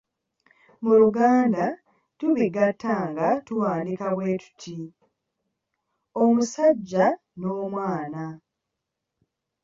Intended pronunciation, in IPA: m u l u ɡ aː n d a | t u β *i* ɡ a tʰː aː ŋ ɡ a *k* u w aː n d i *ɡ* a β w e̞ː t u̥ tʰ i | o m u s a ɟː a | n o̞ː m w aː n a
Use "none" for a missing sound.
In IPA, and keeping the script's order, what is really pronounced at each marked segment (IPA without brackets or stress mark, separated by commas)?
i, t, k